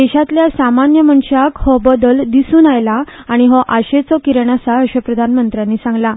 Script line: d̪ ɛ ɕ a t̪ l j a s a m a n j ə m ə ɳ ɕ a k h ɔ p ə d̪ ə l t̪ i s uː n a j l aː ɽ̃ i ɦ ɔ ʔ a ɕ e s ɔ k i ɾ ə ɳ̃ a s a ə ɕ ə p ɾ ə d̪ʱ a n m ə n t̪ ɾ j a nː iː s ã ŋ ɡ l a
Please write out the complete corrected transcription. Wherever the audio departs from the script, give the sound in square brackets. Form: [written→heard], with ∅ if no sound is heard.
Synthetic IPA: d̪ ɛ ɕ a t̪ l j a s a m a n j ə m ə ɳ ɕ a k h ɔ [p→b] ə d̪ ə l [t̪→d̪] i s uː n a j l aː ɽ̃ i ɦ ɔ ʔ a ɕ e [s→t͡s] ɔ k i ɾ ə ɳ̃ a s a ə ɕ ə p ɾ ə d̪ʱ a n m ə n t̪ ɾ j a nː iː s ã ŋ ɡ l a